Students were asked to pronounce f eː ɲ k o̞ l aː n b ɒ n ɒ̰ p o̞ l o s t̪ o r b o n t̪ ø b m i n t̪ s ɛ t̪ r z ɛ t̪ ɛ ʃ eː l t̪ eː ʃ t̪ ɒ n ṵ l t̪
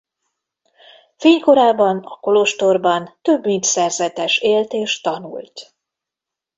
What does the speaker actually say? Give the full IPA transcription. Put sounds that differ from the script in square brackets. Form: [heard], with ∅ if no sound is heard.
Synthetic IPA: f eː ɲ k o̞ [ɾ] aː [∅] b ɒ n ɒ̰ [k] o̞ l o [ʃ] t̪ o r b [ɒ] n t̪ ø b m i n t̪ s ɛ [∅] r z ɛ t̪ ɛ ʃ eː l t̪ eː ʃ t̪ ɒ n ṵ l t̪

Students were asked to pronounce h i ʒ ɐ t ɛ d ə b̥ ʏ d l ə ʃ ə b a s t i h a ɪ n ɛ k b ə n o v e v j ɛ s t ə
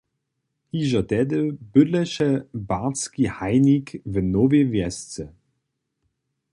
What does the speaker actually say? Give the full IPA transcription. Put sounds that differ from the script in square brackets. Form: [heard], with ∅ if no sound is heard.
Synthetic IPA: h i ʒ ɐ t ɛ d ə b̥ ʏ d l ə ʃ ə b a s [k] i h a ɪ n [i] k [v] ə n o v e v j ɛ s [t͡s] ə

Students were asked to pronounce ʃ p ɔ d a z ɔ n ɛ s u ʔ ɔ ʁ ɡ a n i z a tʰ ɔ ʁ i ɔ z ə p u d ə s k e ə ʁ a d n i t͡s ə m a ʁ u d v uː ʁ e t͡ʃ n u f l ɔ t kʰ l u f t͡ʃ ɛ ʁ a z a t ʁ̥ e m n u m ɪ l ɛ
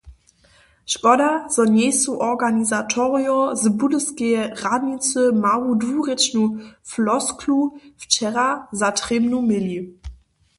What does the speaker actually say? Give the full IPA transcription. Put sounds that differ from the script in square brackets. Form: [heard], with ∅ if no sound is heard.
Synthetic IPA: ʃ p ɔ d a z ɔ n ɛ s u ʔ ɔ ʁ ɡ a n i z a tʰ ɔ ʁ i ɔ z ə [b] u d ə s k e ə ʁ a d n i t͡s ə m a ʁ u d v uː ʁ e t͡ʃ n u f l ɔ [s] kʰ l u f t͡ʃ ɛ ʁ a z a t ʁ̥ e m n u m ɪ l [i]

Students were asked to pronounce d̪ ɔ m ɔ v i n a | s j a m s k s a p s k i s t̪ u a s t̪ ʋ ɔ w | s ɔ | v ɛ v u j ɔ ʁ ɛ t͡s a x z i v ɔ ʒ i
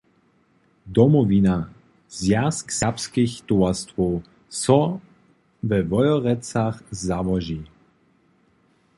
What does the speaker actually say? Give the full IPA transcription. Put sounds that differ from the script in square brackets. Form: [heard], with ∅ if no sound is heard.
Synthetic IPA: d̪ ɔ m ɔ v i n a | [z] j a [∅] s k s a p s k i [x] t̪ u a s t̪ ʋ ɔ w | s ɔ | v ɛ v [ɔ] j ɔ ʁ ɛ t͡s a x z [a] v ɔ ʒ i

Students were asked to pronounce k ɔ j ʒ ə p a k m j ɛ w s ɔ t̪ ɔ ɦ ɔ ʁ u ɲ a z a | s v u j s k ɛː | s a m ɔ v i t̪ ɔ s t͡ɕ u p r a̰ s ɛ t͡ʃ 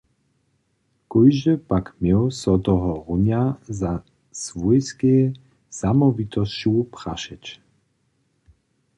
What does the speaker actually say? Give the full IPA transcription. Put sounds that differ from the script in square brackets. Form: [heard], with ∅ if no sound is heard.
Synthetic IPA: k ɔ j ʒ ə p a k m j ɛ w s ɔ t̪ ɔ ɦ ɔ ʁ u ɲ a z a | s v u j s k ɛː | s a m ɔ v i t̪ ɔ s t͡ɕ u p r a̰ [ʃ] ɛ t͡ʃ

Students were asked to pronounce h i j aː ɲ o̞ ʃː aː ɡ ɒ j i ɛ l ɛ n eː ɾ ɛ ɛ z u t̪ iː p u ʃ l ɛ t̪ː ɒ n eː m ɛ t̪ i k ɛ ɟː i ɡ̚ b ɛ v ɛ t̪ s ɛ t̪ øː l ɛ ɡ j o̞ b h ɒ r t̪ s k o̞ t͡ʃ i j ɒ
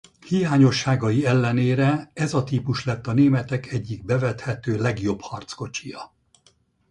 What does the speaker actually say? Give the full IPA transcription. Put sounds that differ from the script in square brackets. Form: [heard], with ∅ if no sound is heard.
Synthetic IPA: h i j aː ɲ o̞ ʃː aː ɡ ɒ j i ɛ [lː] ɛ n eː ɾ ɛ ɛ z [ɒ] t̪ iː p u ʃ l ɛ t̪ː ɒ n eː m ɛ t̪ [ɛ] k ɛ ɟː i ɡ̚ b ɛ v ɛ t̪ [h] ɛ t̪ øː l ɛ ɡ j o̞ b h ɒ r t̪ s k o̞ t͡ʃ i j ɒ

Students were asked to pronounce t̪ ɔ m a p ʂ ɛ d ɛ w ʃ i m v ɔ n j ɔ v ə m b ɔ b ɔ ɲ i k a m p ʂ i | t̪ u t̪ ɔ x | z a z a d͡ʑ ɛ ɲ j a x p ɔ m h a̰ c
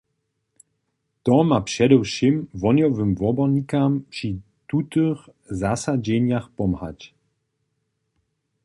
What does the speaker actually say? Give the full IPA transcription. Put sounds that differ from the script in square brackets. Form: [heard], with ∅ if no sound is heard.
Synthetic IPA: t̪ ɔ m a p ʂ ɛ d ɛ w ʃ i m v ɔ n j ɔ v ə m [v] ɔ b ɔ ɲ i k a m p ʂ i | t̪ u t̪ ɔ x | z a [s] a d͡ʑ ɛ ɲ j a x p ɔ m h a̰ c

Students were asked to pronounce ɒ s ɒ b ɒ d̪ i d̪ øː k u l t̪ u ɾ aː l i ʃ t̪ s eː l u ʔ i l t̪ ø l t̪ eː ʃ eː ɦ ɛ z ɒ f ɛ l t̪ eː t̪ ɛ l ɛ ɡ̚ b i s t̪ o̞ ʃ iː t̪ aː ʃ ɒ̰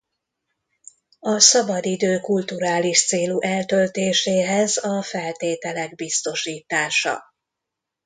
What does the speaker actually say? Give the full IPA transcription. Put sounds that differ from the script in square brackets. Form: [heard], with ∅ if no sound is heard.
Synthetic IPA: ɒ s ɒ b ɒ d̪ i d̪ øː k u l t̪ u ɾ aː l i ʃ t̪ s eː l u ʔ [ɛ] l t̪ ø l t̪ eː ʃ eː ɦ ɛ z ɒ f ɛ l t̪ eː t̪ ɛ l ɛ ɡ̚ b i s t̪ o̞ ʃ iː t̪ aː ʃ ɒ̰

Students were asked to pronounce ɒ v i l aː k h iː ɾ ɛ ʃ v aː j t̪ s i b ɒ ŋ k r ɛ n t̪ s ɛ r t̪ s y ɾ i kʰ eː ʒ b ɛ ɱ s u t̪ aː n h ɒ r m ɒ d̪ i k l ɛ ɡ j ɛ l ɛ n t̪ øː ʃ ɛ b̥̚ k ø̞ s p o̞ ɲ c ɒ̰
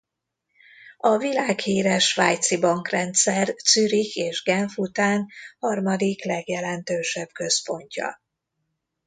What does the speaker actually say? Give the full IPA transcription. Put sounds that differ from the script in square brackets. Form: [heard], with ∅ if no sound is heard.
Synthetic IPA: ɒ v i l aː k h iː ɾ ɛ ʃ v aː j t̪ s i b ɒ ŋ k r ɛ n t̪ s ɛ r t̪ s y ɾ i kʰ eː ʒ [ɡ] ɛ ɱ [f] u t̪ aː n h ɒ r m ɒ d̪ i k l ɛ ɡ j ɛ l ɛ n t̪ øː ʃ ɛ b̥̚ k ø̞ s p o̞ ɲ c ɒ̰

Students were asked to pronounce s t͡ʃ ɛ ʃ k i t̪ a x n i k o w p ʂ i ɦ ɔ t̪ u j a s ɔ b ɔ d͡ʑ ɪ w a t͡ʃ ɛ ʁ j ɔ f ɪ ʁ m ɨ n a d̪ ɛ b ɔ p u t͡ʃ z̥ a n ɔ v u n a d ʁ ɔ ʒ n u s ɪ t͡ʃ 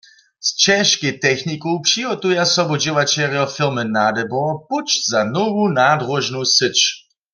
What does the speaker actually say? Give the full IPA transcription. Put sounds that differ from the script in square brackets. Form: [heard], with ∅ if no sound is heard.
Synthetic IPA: s t͡ʃ ɛ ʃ k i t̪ [ɛ] x n i k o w p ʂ i ɦ ɔ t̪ u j a s ɔ b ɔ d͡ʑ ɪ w a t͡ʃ ɛ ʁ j ɔ f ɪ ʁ m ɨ n a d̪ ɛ b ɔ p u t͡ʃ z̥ a n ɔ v u n a d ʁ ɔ ʒ n u s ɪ t͡ʃ

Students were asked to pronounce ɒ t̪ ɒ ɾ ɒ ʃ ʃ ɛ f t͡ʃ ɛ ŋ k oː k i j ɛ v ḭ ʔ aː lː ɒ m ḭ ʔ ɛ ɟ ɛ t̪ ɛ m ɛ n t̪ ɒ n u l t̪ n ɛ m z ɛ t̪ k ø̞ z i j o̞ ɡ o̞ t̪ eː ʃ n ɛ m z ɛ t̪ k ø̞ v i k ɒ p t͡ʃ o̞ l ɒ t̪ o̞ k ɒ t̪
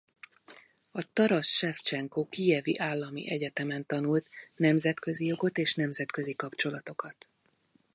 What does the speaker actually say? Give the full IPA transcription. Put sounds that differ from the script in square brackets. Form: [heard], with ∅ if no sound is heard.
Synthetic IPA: ɒ t̪ ɒ ɾ ɒ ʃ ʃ ɛ f t͡ʃ ɛ ŋ k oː k i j ɛ v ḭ ʔ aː lː ɒ m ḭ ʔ ɛ ɟ ɛ t̪ ɛ m ɛ n t̪ ɒ n u l t̪ n ɛ m z ɛ t̪ k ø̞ z i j o̞ ɡ o̞ t̪ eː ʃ n ɛ m z ɛ t̪ k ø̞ [z] i k ɒ p t͡ʃ o̞ l ɒ t̪ o̞ k ɒ t̪

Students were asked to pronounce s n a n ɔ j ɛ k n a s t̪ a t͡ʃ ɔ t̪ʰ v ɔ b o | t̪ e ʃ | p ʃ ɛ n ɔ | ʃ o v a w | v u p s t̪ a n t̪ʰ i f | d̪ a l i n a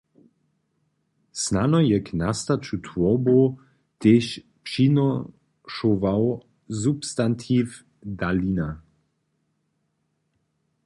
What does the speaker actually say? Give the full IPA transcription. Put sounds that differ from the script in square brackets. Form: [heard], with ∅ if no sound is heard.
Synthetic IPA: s n a n ɔ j ɛ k n a s t̪ a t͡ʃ [u] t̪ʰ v ɔ b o | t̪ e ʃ | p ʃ [i] n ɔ | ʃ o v a w | [z] u p s t̪ a n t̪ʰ i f | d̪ a l i n a

